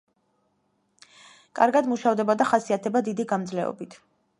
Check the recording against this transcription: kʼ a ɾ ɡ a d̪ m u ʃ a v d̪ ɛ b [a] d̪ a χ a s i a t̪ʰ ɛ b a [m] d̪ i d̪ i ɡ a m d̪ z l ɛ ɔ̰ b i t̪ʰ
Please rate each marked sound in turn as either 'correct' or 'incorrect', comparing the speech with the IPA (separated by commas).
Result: correct, incorrect